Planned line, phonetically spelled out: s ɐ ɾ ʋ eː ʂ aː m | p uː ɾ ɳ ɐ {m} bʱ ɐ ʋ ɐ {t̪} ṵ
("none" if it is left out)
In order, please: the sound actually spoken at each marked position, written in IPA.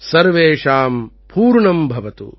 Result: m, t̪

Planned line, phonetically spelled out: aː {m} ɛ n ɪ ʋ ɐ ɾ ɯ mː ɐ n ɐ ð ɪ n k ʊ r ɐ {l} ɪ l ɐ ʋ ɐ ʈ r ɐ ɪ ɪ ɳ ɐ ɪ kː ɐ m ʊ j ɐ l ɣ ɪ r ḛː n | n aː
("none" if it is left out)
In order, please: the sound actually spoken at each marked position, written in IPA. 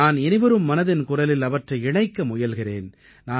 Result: n, l

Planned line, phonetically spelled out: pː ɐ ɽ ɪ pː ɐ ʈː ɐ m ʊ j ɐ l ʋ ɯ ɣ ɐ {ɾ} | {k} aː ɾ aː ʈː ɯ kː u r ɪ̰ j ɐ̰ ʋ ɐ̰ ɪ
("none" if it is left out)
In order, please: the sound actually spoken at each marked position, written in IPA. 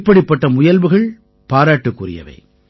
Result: ɭ, p

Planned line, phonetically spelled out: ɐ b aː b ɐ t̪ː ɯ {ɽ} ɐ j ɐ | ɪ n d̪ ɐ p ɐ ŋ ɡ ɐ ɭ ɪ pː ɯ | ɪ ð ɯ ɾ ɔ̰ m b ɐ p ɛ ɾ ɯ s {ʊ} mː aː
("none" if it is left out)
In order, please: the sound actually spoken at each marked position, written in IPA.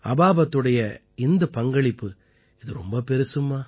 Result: ɽ, ɯ

